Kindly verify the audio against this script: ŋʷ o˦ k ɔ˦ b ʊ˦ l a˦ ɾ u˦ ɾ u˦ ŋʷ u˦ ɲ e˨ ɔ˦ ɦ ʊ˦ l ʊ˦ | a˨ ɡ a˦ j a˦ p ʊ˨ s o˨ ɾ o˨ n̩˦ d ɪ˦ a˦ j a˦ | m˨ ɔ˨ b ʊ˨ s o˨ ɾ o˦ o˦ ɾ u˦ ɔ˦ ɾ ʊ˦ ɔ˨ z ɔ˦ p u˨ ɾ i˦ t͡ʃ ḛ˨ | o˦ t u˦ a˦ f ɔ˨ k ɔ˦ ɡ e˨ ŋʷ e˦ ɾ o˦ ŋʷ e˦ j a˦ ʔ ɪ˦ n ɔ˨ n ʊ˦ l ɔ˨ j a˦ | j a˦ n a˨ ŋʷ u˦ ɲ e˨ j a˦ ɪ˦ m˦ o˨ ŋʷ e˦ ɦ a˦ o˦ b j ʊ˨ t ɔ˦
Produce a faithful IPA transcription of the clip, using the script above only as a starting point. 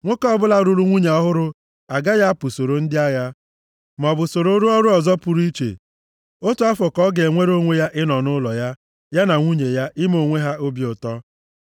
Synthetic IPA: ŋʷ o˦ k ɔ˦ b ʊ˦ l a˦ ɾ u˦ ɾ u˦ ŋʷ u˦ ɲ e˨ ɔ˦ ɦ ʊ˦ ɾ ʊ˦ | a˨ ɡ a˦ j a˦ p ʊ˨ s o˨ ɾ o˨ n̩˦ d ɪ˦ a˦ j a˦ | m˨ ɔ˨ b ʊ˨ s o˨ ɾ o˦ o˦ ɾ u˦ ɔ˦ ɾ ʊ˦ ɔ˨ z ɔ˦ p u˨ ɾ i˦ t͡ʃ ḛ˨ | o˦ t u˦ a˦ f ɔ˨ k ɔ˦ ɡ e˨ ŋʷ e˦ ɾ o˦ ŋʷ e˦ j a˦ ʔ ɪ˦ n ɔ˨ n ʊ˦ l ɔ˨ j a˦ | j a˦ n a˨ ŋʷ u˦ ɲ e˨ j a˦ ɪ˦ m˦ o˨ ŋʷ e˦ ɦ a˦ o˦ b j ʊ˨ t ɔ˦